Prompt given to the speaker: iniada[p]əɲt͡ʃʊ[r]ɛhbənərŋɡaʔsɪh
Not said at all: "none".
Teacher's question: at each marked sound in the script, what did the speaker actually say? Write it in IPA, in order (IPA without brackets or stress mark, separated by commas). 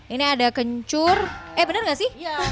k, r